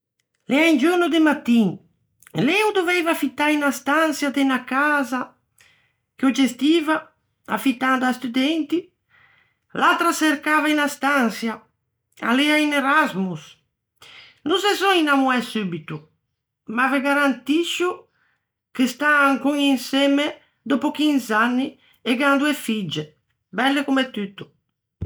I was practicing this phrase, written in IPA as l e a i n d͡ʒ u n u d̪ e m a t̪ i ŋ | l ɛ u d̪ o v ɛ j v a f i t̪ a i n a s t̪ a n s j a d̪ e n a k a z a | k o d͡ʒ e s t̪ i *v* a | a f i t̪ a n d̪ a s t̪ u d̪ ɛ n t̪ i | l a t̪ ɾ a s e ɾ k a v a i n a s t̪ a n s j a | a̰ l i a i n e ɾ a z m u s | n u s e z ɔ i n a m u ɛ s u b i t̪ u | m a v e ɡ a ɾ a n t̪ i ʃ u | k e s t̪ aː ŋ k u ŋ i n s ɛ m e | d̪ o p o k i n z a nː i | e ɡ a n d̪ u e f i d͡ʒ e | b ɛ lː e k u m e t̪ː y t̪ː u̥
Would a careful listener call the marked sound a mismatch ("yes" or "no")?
no